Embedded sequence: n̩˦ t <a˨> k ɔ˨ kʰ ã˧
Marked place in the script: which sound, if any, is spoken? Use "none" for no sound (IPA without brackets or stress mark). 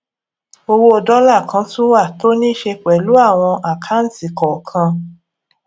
i˨